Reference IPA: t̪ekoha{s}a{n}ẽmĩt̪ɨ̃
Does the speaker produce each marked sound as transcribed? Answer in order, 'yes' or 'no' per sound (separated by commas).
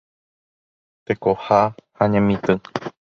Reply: no, no